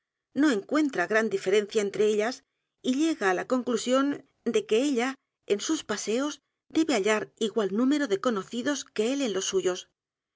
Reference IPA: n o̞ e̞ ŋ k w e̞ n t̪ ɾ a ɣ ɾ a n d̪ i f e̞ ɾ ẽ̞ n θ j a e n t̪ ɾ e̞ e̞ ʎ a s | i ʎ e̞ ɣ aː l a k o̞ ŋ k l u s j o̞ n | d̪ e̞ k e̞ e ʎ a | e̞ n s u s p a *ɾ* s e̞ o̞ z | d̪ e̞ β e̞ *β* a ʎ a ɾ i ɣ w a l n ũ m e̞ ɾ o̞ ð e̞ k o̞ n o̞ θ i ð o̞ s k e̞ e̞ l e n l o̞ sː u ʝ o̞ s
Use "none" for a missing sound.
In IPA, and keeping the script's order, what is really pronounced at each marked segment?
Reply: none, none

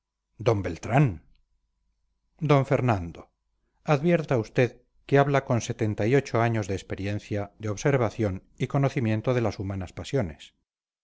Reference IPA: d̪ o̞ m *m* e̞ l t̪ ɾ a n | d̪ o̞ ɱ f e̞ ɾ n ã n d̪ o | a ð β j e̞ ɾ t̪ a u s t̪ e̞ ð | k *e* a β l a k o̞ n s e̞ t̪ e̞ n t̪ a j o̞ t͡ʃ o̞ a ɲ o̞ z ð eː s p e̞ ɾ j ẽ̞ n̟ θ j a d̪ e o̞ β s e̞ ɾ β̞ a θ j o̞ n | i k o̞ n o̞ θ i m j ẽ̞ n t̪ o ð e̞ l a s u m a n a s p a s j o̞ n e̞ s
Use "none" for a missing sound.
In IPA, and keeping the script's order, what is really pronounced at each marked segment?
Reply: b, e

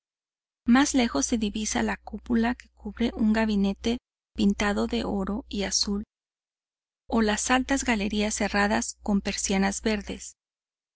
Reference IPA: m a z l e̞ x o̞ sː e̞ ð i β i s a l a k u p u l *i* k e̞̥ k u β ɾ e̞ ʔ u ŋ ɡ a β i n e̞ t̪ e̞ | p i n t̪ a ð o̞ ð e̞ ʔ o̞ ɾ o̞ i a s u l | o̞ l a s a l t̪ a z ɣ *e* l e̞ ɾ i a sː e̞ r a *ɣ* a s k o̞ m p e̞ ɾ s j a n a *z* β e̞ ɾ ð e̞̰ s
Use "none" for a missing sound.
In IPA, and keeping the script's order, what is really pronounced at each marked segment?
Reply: a, a, ð, z

